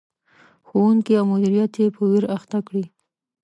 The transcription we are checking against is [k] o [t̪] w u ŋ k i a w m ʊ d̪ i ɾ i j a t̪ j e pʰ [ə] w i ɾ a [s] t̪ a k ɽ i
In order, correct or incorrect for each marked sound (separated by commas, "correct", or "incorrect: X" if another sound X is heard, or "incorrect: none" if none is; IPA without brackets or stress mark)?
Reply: incorrect: x, incorrect: none, correct, incorrect: x